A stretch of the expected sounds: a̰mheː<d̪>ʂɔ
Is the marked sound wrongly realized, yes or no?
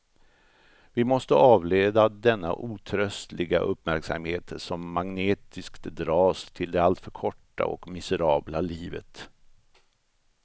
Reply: yes